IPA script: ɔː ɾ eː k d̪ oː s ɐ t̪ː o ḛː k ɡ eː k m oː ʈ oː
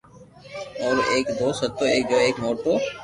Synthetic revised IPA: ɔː ɾ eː k d̪ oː s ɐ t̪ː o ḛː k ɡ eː k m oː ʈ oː